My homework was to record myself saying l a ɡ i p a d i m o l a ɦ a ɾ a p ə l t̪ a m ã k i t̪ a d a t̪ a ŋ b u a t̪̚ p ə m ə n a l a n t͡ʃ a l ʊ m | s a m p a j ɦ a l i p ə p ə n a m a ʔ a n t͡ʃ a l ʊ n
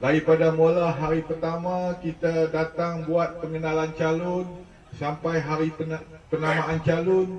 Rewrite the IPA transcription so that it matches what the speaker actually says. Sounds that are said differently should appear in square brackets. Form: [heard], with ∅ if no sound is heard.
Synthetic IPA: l a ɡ i p a d [a] m o l a ɦ a ɾ [i] p ə [r] t̪ a m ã k i t̪ a d a t̪ a ŋ b u a t̪̚ p ə [ŋ] ə n a l a n t͡ʃ a l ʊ [n] | s a m p a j ɦ a [ɾ] i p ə p ə n a m a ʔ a n t͡ʃ a l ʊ n